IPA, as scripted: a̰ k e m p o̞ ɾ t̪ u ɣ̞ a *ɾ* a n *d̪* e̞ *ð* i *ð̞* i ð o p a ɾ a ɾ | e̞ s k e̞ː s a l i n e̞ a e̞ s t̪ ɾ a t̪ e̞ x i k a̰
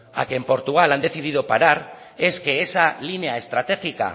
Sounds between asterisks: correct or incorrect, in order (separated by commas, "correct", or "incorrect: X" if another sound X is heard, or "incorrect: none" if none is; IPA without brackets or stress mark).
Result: incorrect: l, correct, incorrect: θ, correct